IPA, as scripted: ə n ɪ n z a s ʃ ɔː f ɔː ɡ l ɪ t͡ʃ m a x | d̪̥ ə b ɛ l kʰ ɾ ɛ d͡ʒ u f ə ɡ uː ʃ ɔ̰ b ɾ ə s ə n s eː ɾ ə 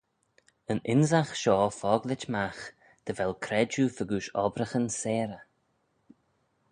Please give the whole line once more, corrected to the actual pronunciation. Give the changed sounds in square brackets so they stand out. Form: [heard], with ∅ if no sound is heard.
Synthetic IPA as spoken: ə n ɪ n z a [x] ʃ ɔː f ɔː ɡ l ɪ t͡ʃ m a x | d̪̥ ə [v] ɛ l kʰ ɾ ɛ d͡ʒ u f ə ɡ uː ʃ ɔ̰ b ɾ ə [x] ə n s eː ɾ ə